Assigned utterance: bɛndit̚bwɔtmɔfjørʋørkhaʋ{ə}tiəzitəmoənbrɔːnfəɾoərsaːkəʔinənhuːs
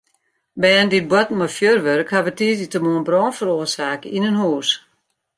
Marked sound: correct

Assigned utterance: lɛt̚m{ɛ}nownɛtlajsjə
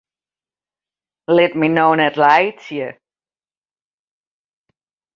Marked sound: incorrect: i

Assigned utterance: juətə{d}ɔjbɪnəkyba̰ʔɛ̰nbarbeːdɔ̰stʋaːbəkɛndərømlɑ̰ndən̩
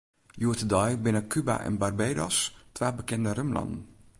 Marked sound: correct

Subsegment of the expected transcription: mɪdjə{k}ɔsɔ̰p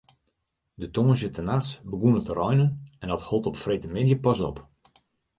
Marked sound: incorrect: p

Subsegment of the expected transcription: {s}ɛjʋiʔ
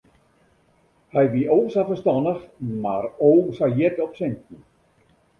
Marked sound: incorrect: h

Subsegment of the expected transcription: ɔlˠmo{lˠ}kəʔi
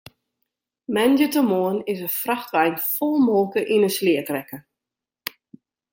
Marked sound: correct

